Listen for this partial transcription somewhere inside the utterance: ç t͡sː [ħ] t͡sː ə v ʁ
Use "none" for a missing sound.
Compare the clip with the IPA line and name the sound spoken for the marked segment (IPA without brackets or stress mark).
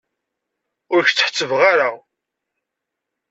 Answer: ħ